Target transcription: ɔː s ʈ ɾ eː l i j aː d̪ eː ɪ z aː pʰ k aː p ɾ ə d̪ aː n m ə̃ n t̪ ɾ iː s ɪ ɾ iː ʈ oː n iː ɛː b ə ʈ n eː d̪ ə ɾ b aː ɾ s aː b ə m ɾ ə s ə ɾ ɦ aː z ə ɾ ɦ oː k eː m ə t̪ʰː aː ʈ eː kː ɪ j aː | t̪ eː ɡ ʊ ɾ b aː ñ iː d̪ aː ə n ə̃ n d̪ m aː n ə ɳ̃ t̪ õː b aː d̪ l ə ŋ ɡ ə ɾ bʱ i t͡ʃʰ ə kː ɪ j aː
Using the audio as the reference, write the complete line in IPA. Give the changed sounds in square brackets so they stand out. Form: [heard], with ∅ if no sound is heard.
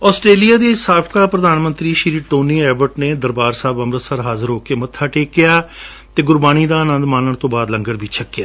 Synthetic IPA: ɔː s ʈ ɾ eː l i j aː d̪ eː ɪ [s] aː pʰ k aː p ɾ ə d̪ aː n m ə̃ n t̪ ɾ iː [ʃ] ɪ ɾ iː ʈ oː n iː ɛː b ə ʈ n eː d̪ ə ɾ b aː ɾ s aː b ə m ɾ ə s ə ɾ ɦ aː z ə ɾ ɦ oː k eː m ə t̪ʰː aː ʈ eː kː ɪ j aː | t̪ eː ɡ ʊ ɾ b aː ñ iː d̪ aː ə n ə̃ n d̪ m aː n ə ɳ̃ t̪ õː b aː d̪ l ə ŋ ɡ ə ɾ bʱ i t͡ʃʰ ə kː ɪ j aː